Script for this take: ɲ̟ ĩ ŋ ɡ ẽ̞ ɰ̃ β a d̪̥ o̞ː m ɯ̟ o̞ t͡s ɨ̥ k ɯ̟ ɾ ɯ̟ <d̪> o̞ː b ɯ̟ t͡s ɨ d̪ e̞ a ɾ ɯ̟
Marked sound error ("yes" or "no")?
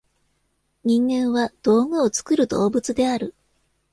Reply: no